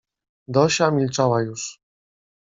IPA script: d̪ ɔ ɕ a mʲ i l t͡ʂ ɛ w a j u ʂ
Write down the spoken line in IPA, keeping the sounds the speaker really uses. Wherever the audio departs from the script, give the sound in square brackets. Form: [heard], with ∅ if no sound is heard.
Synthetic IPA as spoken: d̪ ɔ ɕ a mʲ i l t͡ʂ [a] w a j u ʂ